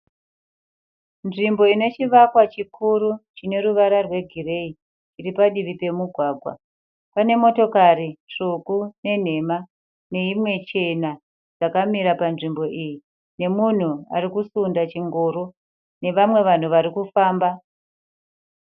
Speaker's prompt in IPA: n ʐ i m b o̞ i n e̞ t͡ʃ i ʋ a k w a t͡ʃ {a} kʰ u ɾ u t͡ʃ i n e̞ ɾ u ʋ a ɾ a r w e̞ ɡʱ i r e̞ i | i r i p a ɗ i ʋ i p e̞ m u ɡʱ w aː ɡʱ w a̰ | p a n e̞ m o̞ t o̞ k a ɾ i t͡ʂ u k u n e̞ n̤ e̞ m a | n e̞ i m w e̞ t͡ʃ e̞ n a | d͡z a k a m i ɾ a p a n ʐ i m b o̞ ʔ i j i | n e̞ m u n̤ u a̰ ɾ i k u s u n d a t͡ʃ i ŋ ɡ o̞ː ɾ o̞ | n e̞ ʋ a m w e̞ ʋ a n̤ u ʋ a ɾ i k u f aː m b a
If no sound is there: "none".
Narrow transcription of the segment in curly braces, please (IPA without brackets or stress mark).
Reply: i